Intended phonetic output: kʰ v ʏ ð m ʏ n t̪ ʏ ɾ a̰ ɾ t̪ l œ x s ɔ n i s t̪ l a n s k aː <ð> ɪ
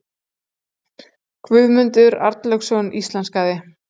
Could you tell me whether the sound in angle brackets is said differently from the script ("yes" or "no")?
no